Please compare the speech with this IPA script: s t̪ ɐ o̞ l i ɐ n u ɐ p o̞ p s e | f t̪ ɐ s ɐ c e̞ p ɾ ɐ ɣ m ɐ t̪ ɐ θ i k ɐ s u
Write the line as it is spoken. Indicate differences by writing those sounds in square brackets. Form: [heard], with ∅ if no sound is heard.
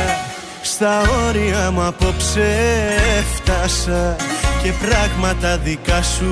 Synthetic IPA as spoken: s t̪ ɐ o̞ [ɾ] i ɐ [m] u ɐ p o̞ p s e | f t̪ ɐ s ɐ c e̞ p ɾ ɐ ɣ m ɐ t̪ ɐ [ð] i k ɐ s u